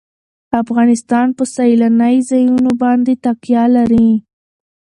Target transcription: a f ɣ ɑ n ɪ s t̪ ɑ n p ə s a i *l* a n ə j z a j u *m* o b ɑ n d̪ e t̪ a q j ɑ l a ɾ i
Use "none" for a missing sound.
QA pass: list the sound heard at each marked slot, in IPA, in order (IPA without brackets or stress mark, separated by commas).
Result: l, n